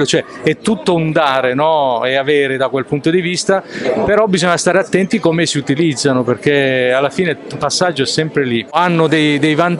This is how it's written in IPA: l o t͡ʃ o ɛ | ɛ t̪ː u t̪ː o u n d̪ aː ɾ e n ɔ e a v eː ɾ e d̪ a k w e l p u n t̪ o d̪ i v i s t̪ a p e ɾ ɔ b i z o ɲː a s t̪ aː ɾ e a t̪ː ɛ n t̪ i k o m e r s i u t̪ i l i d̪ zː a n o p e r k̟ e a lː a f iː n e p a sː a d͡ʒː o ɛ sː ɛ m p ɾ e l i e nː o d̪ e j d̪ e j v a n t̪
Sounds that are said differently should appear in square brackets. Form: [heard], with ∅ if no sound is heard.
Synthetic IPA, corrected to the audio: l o t͡ʃ o ɛ | ɛ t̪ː u t̪ː o u n d̪ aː ɾ e n ɔ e a v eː ɾ e d̪ a k w e l p u n t̪ o d̪ i v i s t̪ a p e ɾ ɔ b i z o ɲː a s t̪ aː ɾ e a t̪ː ɛ n t̪ i k o m e [∅] s i u t̪ i l i d̪ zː a n o p e r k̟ e a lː a f iː n e p a sː a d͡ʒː o ɛ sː ɛ m p ɾ e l i [a] nː o d̪ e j d̪ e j v a n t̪